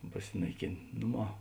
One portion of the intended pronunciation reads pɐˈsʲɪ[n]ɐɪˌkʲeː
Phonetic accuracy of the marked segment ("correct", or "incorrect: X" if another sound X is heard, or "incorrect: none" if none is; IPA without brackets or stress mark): correct